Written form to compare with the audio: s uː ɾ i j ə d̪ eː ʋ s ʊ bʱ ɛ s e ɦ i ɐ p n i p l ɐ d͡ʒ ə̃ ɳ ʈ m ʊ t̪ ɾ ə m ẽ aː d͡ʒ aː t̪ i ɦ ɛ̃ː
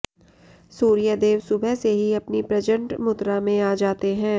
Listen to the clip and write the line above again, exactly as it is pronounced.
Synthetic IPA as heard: s uː ɾ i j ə d̪ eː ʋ s ʊ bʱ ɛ s e ɦ i ɐ p n i p ɾ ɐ d͡ʒ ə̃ ɳ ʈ m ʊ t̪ ɾ a m ẽ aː d͡ʒ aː t̪ e ɦ ɛ̃ː